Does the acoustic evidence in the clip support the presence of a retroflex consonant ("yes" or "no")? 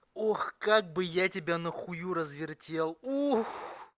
no